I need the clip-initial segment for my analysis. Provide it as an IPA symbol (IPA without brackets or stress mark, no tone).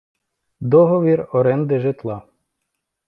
d̪